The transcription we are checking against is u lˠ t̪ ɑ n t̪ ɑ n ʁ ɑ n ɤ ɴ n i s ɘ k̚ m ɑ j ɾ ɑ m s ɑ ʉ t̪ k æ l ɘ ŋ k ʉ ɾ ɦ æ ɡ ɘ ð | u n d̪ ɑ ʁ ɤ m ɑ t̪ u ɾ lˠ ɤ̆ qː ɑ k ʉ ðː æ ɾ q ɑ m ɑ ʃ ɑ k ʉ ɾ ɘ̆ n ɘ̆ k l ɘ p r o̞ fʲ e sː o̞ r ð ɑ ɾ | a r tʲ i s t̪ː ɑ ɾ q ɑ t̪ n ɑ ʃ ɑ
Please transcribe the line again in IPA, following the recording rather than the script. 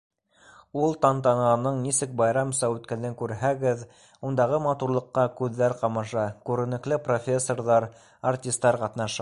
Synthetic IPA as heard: u lˠ t̪ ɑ n t̪ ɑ n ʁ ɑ n ɤ ɴ n i s ɘ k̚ b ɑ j ɾ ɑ m s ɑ ʉ t̪ k æ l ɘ ŋ k ʉ ɾ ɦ æ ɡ ɘ ð | u n d̪ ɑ ʁ ɤ m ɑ t̪ u ɾ lˠ ɤ̆ qː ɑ k ʉ ðː æ ɾ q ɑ m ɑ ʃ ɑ k ʉ ɾ ɘ̆ n ɘ̆ k l ɘ p r o̞ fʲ e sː o̞ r ð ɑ ɾ | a r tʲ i s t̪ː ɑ ɾ q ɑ t̪ n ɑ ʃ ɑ

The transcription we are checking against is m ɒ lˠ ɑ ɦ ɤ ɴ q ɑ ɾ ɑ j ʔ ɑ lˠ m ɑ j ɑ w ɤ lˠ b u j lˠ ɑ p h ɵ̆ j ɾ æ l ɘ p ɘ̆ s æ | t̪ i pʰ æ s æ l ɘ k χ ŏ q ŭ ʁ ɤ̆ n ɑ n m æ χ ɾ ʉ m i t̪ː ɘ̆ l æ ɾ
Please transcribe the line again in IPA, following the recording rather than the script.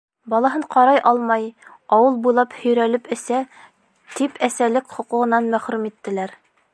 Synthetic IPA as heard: b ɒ lˠ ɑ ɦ ɤ ɴ q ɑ ɾ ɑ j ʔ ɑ lˠ m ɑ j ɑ w ɤ lˠ b u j lˠ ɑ p h ɵ̆ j ɾ æ l ɘ p ɘ̆ s æ | t̪ i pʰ æ s æ l ɘ k χ ŏ q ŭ ʁ ɤ̆ n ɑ n m æ χ ɾ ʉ m i t̪ː ɘ̆ l æ ɾ

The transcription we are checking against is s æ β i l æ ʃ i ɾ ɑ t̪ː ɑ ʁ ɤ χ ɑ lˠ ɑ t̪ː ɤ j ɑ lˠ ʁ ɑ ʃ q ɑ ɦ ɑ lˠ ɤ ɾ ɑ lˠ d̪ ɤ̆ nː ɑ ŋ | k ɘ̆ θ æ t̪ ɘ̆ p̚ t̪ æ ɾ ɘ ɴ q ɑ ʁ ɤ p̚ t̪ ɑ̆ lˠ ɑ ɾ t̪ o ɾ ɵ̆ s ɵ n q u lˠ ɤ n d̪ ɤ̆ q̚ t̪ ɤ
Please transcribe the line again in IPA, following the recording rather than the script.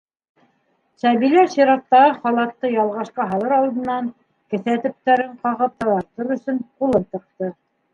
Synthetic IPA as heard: s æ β i l æ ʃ i ɾ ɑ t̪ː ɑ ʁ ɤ χ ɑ lˠ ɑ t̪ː ɤ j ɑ lˠ ʁ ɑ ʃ q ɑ ɦ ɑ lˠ ɤ ɾ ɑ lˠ d̪ ɤ̆ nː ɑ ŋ | k ɘ̆ θ æ t̪ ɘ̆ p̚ t̪ æ ɾ ɘ ɴ q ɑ ʁ ɤ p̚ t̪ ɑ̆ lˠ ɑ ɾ t̪ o ɾ ɵ̆ s ɵ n q u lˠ ɤ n t̪ ɤ̆ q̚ t̪ ɤ

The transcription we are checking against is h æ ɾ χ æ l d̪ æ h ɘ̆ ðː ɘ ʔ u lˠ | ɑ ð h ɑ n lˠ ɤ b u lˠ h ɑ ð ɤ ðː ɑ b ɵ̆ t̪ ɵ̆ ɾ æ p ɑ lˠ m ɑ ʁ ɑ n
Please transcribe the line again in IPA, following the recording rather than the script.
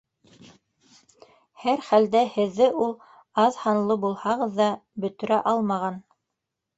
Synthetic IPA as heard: h æ ɾ χ æ l d̪ æ h ɘ̆ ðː ɘ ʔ u lˠ | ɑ ð h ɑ n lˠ ɤ b u lˠ h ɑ ʁ ɤ ðː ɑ b ɵ̆ t̪ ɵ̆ ɾ æ ʔ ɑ lˠ m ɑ ʁ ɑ n

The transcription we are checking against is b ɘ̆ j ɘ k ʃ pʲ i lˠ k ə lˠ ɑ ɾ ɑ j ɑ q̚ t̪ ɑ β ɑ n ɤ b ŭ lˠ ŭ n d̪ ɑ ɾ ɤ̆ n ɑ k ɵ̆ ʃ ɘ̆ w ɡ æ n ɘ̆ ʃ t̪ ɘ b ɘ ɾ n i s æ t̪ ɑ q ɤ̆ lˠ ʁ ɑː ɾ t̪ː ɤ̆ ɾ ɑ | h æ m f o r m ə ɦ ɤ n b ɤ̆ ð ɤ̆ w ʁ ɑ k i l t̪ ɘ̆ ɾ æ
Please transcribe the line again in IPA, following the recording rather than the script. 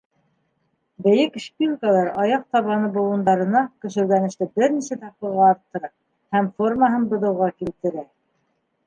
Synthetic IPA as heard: b ɘ̆ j ɘ k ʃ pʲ i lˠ k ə lˠ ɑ ɾ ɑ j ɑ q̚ t̪ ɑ β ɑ n ɤ b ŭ lˠ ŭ n d̪ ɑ ɾ ɤ̆ n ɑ k ɵ̆ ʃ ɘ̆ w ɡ æ n ɘ̆ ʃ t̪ ɘ b ɘ ɾ n i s æ t̪ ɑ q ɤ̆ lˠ ʁ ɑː ɾ t̪ː ɤ̆ ɾ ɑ | h æ m f o r m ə ɦ ɤ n b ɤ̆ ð ɤ̆ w ʁ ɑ k i l t̪ ɘ̆ ɾ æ

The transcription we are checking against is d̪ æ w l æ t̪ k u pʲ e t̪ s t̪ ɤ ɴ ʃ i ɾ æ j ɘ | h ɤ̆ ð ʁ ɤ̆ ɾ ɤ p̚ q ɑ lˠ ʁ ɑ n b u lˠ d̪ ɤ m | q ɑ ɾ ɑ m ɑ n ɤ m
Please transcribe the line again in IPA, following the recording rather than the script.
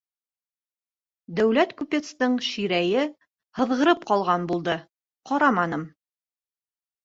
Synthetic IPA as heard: d̪ æ w l æ t̪ k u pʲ e t̪ s t̪ ɤ ɴ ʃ i ɾ æ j ɘ | h ɤ̆ ð ʁ ɤ̆ ɾ ɤ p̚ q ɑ lˠ ʁ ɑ n b u lˠ d̪ ɤ | q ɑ ɾ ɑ m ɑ n ɤ m

